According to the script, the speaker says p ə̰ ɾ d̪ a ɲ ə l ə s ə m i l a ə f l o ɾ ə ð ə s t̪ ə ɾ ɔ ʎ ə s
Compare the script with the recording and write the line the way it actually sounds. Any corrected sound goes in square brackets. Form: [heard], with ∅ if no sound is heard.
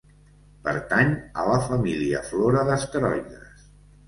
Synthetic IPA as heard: p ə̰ ɾ [t̪] a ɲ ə l ə [f] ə m i l [i] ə f l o ɾ ə ð ə s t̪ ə ɾ ɔ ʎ ə s